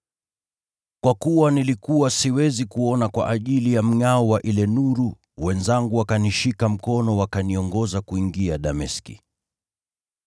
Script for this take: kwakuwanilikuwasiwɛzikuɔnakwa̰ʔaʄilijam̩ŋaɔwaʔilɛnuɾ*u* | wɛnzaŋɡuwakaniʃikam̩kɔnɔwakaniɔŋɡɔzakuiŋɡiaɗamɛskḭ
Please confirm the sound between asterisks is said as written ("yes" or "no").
yes